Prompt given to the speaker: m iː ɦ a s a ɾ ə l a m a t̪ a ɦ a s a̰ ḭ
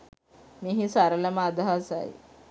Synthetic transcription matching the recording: m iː ɦ i s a ɾ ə l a m a d̪ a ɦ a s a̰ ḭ